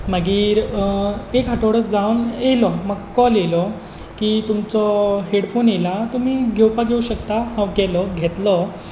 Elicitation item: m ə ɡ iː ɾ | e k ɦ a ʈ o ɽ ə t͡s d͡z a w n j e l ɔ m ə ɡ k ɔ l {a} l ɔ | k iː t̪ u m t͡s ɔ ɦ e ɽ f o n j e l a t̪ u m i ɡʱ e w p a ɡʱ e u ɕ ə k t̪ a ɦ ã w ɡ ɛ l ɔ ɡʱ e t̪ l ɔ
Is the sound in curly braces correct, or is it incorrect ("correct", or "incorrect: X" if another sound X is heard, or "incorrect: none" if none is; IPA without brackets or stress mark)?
incorrect: e